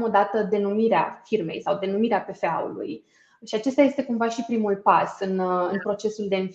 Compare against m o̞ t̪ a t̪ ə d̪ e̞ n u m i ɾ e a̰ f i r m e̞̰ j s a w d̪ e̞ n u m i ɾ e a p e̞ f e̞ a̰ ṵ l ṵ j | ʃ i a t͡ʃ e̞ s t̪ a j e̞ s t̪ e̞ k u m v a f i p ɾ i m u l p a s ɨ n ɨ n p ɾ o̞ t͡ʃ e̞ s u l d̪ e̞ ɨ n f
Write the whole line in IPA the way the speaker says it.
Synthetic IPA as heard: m o̞ d̪ a t̪ ə d̪ e̞ n u m i ɾ e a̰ f i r m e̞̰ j s a w d̪ e̞ n u m i ɾ e a p e̞ f e̞ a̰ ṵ l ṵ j | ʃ i a t͡ʃ e̞ s t̪ a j e̞ s t̪ e̞ k u m v a ʃ i p ɾ i m u l p a s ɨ n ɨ n p ɾ o̞ t͡ʃ e̞ s u l d̪ e̞ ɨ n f